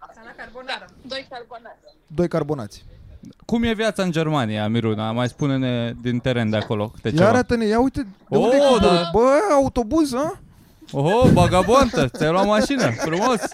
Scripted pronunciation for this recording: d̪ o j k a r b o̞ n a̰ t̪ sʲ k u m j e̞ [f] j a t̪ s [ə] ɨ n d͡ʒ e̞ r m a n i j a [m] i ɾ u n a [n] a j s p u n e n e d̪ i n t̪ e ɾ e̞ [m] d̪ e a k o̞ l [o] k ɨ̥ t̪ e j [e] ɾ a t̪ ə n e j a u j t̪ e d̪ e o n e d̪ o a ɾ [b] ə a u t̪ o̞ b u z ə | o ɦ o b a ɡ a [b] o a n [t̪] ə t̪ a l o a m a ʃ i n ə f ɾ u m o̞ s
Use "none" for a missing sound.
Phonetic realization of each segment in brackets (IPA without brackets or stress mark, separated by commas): v, a, m, m, n, o, a, b, b, t̪